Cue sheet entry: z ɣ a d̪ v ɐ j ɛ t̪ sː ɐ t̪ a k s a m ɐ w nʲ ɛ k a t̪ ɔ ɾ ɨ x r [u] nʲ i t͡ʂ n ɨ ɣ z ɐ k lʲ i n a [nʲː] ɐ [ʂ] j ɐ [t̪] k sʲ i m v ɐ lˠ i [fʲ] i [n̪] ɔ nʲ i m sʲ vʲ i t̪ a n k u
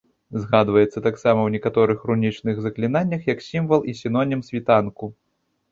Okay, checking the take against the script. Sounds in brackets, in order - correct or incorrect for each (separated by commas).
correct, correct, incorrect, incorrect, incorrect, correct